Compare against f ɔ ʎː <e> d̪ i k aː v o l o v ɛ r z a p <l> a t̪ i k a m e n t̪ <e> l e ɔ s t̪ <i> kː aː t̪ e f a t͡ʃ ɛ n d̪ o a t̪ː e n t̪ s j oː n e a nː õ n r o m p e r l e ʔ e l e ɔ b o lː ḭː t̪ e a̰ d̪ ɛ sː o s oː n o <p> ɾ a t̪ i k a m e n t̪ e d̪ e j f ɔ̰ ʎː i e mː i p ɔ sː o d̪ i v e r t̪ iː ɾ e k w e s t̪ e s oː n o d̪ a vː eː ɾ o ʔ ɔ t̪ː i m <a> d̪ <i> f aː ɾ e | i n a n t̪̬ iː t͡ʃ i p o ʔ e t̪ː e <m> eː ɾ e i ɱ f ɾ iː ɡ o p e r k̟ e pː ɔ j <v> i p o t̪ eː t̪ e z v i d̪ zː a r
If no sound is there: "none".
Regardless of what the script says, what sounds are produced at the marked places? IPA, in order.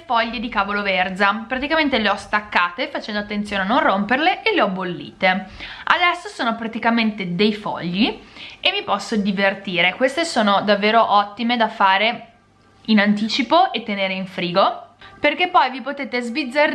e, ɾ, e, a, p, e, a, n, v

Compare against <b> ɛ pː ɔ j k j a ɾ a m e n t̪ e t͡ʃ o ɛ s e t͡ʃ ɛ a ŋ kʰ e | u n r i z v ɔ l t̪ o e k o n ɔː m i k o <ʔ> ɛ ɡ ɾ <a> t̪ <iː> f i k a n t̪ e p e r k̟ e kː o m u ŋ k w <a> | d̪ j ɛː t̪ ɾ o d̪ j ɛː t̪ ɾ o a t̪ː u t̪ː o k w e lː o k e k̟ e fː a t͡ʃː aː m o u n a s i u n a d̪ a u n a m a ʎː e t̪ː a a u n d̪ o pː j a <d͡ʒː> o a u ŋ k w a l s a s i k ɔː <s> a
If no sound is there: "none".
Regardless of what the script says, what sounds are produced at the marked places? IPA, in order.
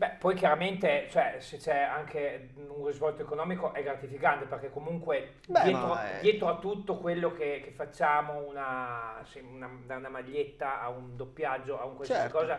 b, ʔ, a, i, e, d͡ʒː, z

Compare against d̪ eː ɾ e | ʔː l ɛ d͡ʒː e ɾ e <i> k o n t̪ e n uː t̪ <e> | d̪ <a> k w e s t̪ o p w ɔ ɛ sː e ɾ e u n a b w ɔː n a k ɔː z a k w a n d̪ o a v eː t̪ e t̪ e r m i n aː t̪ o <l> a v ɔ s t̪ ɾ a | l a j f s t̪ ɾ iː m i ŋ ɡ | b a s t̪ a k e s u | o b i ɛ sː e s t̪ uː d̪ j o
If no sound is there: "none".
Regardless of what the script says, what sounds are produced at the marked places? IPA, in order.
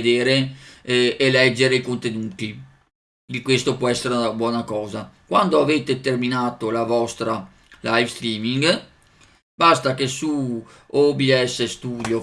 i, i, i, l

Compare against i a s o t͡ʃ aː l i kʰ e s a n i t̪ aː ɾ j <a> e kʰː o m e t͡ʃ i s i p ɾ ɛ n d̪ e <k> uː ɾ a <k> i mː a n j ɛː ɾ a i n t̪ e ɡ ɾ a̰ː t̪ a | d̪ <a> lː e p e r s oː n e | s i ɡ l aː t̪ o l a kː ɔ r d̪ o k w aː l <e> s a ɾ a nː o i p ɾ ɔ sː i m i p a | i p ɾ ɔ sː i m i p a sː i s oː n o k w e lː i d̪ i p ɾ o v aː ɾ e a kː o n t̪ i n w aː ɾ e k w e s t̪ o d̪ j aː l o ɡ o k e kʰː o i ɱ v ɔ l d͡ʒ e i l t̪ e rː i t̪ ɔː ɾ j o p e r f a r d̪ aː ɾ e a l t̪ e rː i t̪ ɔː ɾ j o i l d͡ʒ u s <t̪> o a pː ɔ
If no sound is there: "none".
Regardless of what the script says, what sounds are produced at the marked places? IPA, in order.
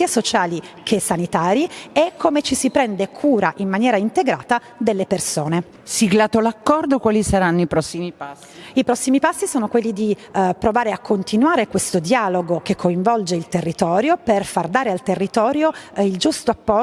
i, kʰ, ʔ, e, i, t̪

